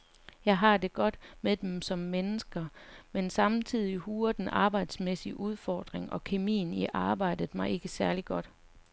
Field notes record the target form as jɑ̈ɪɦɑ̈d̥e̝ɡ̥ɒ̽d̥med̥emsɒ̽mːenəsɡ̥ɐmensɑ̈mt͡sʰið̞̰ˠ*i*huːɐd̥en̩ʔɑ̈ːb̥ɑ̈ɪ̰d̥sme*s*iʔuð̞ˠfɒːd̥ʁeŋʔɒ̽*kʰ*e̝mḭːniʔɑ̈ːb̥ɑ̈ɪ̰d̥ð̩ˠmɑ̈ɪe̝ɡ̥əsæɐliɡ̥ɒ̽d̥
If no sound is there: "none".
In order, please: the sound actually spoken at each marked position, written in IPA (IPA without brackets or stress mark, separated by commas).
i, s, kʰ